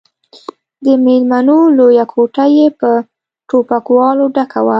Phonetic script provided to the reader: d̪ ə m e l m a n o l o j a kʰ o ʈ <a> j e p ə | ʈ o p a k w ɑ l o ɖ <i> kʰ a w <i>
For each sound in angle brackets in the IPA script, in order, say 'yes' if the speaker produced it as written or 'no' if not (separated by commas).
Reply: yes, no, no